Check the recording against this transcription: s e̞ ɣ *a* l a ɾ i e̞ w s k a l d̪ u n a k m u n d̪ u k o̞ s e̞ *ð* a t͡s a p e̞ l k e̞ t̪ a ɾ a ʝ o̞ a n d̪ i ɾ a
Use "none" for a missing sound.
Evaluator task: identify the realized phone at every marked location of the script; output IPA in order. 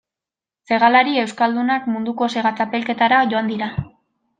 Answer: a, ɣ

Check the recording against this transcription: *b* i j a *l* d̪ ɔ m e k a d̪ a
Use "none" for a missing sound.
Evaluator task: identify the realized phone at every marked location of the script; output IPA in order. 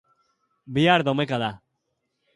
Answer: b, ɾ

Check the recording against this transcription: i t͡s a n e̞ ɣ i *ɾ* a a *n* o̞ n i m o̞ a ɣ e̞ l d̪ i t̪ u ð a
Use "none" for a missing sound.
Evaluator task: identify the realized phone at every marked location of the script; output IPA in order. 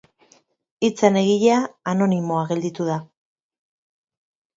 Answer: ʎ, n

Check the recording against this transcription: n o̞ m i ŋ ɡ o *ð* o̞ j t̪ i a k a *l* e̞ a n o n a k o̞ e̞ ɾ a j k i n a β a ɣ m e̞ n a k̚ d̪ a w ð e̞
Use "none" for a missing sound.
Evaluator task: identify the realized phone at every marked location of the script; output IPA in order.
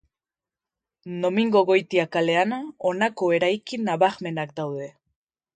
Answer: ɣ, l

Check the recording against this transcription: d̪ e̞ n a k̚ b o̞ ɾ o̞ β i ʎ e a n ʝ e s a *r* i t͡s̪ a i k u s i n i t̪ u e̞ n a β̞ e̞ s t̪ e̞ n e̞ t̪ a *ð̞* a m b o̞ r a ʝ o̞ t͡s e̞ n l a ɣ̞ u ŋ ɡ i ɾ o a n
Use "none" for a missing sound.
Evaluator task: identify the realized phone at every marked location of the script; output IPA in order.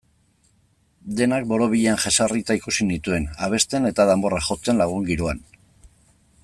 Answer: r, ð̞

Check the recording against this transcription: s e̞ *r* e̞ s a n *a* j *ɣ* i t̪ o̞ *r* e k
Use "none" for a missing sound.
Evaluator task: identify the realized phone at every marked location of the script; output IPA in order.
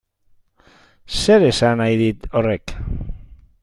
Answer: ɾ, a, ð, r

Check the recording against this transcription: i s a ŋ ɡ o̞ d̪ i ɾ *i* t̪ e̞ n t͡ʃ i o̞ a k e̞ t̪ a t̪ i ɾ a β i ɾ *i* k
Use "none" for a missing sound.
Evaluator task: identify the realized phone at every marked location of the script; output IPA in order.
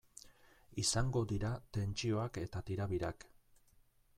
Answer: a, a

